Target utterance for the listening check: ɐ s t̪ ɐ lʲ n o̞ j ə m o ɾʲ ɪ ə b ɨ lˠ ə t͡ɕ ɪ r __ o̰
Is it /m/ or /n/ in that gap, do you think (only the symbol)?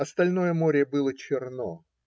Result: n